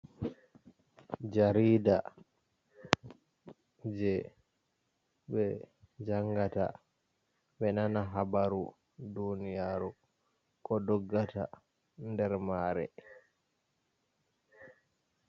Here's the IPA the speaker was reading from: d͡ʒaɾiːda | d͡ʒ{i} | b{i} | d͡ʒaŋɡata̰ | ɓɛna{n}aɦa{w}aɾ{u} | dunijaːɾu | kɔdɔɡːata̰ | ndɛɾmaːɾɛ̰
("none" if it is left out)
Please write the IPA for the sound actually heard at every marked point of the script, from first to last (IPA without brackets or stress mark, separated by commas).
ɛ, ɛ, n, b, u